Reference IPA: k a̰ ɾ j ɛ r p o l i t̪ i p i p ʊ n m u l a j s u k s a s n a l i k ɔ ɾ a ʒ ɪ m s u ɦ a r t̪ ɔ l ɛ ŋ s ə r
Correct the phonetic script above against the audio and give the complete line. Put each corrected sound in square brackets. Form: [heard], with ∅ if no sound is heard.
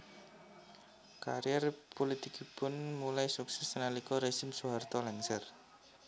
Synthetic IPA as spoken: k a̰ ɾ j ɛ r p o l i t̪ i [k] i p ʊ n m u l a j s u k s [ɛ] s n a l i k ɔ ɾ [e] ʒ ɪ m s u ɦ a r t̪ ɔ l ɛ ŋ s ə r